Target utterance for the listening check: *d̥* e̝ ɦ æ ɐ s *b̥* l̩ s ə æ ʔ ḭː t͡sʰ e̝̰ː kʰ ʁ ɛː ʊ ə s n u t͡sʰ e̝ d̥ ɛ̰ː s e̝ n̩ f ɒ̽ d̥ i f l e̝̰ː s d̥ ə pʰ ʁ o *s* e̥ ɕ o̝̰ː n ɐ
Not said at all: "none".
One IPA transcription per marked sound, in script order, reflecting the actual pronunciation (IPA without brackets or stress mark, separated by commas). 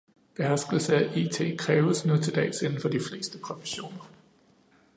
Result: b̥, ɡ̥, f